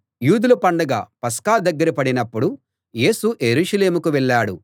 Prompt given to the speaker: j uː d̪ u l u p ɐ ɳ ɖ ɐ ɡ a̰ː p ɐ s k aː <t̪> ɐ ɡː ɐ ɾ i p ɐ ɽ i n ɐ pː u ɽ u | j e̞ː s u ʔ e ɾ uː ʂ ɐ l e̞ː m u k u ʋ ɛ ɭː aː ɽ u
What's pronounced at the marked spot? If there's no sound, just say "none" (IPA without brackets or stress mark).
d̪